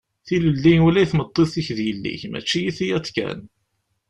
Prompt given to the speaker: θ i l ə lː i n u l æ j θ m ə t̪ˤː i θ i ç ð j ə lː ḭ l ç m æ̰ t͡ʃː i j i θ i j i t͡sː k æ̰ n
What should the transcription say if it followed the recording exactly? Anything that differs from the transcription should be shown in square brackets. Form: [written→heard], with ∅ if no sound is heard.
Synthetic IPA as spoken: θ i l ə lː i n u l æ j θ m ə t̪ˤː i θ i ç ð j ə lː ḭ [l→∅] ç m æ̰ t͡ʃː i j i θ i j [i→æ] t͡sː k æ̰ n